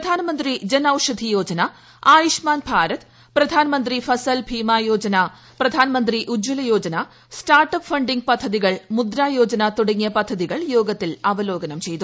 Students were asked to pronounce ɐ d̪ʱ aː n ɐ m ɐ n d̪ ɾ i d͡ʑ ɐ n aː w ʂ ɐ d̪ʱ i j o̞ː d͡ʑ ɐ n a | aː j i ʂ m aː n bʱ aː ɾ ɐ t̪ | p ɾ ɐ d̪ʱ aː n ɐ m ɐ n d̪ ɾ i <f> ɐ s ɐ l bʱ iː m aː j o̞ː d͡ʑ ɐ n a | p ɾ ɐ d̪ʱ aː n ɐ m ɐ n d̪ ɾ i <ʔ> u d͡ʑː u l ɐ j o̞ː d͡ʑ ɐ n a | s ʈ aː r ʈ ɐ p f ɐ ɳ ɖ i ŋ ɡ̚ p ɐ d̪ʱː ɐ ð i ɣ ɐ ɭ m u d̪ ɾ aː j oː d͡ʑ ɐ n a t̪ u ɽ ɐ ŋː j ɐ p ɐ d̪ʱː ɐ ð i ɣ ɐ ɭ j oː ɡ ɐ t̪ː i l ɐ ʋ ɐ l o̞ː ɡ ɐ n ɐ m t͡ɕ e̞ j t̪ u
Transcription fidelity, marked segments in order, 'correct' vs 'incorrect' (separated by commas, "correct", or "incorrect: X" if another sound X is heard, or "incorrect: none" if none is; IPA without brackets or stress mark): correct, correct